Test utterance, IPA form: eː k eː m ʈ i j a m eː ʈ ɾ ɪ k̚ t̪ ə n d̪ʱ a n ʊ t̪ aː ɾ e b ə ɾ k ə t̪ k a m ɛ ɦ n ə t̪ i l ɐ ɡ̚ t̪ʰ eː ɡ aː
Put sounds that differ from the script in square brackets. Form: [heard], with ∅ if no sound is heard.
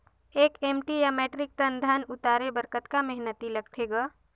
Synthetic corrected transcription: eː k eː m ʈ i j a m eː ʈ ɾ ɪ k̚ t̪ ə n d̪ʱ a n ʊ t̪ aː ɾ e b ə ɾ k ə t̪ k a m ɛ ɦ n ə t̪ i l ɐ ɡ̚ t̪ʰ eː ɡ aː